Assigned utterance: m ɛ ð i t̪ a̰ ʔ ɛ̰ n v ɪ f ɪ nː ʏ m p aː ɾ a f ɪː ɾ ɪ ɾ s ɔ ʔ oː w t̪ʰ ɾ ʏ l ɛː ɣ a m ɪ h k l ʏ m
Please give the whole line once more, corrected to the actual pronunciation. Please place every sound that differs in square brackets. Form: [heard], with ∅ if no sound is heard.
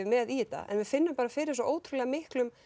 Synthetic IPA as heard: m ɛ ð i t̪ a̰ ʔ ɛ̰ n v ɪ f ɪ nː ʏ m p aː ɾ a f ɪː ɾ ɪ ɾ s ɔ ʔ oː w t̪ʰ ɾ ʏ l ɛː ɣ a m ɪ h k l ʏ m